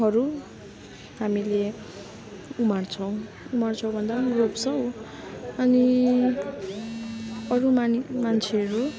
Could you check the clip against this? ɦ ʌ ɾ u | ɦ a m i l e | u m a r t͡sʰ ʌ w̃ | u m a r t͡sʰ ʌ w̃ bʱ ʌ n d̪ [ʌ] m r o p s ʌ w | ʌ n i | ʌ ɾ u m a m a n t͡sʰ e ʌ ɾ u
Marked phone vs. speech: incorrect: a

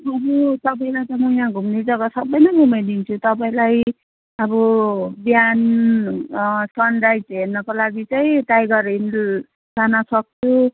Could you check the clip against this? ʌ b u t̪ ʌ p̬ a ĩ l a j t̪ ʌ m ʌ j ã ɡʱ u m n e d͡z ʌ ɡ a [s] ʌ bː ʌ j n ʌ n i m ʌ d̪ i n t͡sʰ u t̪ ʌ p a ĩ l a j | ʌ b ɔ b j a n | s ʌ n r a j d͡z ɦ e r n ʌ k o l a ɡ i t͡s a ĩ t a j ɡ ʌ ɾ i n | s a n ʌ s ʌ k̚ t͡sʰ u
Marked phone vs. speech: correct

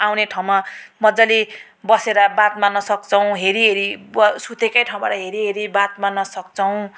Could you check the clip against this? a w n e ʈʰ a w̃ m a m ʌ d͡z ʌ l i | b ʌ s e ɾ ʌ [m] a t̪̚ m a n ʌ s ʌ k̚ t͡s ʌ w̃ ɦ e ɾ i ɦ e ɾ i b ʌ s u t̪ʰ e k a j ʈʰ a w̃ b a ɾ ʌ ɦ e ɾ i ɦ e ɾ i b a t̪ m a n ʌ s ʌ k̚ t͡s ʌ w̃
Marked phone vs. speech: incorrect: b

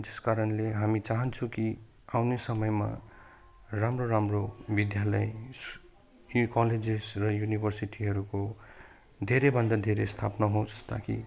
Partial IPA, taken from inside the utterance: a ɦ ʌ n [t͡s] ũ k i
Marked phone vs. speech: incorrect: t͡sʰ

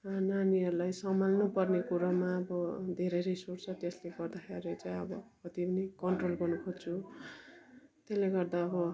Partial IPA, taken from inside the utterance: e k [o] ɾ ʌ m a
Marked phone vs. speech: incorrect: u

